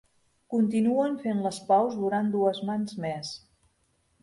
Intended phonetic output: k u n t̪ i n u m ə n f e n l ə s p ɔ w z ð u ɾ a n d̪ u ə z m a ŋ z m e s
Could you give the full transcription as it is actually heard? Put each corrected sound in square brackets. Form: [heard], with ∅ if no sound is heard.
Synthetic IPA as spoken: k u n t̪ i n u [∅] ə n f e n l ə s p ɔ w z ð u ɾ a n d̪ u ə z m a [n] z m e s